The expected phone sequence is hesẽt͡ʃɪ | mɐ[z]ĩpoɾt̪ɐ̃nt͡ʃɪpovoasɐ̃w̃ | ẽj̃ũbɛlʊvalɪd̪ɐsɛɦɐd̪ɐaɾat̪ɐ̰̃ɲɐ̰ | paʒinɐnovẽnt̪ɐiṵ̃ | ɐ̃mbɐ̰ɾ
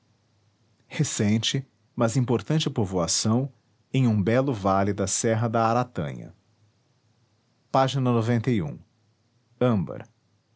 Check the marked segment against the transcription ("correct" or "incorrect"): correct